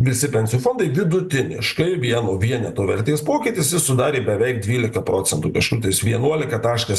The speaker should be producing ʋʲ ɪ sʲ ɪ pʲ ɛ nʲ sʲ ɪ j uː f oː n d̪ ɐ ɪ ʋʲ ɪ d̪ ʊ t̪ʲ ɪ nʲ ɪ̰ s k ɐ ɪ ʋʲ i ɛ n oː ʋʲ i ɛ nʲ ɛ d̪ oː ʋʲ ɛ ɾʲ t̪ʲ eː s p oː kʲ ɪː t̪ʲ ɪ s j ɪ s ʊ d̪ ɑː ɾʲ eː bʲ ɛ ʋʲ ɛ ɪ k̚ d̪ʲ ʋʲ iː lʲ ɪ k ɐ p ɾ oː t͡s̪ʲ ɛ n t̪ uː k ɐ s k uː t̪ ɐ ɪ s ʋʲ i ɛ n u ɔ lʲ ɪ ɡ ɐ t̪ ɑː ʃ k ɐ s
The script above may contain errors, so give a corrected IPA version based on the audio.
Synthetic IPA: ʋʲ ɪ sʲ ɪ pʲ ɛ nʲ sʲ ɪ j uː f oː n d̪ ɐ ɪ ʋʲ ɪ d̪ ʊ t̪ʲ ɪ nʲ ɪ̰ ʃ k ɐ ɪ ʋʲ i ɛ n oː ʋʲ i ɛ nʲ ɛ t̪ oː ʋʲ ɛ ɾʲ t̪ʲ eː s p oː kʲ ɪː t̪ʲ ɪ s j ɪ s ʊ d̪ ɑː ɾʲ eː bʲ ɛ ʋʲ ɛ ɪ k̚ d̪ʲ ʋʲ iː lʲ ɪ k ɐ p ɾ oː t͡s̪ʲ ɛ n t̪ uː k ɐ ʃ k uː t̪ ɐ ɪ s ʋʲ i ɛ n u ɔ lʲ ɪ k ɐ t̪ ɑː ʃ k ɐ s